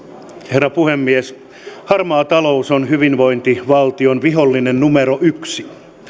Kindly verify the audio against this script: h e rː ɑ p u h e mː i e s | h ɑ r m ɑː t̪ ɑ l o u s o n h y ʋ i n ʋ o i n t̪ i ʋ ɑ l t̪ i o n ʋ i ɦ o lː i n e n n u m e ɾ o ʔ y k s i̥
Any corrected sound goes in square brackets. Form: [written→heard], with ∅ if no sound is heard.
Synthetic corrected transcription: h e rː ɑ p u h e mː i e s | h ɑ r m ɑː t̪ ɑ l o u s o n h y ʋ i n ʋ o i n t̪ i ʋ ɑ l t̪ i o n ʋ i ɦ o lː i n e n n u m e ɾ o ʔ y k s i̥